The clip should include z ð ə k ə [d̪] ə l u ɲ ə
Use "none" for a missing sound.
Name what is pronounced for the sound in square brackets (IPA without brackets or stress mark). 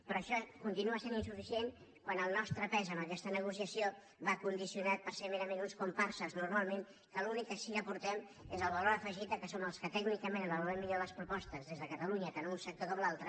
t̪